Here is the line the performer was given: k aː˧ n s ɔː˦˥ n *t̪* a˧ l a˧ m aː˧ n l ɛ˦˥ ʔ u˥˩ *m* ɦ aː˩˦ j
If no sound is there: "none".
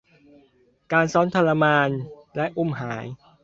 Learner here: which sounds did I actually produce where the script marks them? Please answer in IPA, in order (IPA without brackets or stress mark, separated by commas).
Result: t̪ʰ, m